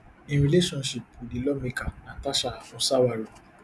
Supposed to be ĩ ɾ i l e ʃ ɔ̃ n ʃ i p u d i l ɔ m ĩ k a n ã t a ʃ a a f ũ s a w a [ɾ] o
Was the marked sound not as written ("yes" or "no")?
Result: no